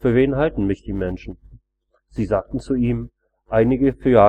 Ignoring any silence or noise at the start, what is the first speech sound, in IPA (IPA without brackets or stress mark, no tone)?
f